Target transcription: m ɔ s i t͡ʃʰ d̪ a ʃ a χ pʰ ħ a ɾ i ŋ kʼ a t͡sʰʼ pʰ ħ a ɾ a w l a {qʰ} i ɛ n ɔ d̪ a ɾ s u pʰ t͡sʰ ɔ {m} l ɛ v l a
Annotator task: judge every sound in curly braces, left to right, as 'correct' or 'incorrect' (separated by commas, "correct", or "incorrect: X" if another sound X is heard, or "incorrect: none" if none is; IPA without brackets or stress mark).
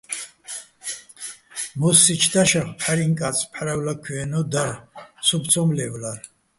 incorrect: kʰ, correct